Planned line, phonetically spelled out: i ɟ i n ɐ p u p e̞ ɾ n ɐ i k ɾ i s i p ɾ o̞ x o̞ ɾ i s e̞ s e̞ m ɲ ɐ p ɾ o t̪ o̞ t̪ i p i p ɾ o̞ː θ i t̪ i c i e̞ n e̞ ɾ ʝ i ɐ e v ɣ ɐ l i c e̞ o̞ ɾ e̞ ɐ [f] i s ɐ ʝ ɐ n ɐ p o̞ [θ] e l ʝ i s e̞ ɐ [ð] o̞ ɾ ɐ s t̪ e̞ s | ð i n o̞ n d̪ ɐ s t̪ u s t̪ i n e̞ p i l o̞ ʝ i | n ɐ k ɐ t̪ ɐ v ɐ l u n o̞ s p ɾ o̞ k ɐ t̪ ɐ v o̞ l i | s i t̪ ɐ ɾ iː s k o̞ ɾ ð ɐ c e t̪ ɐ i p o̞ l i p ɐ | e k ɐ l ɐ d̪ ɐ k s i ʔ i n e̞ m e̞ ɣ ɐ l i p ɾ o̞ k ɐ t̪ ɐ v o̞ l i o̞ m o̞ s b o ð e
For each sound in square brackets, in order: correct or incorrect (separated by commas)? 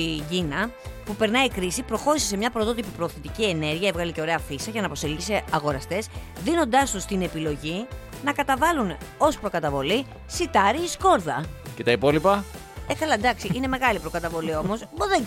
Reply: correct, incorrect, incorrect